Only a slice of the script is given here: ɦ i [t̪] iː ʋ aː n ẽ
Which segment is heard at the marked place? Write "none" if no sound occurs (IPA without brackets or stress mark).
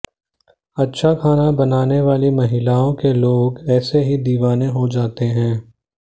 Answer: d̪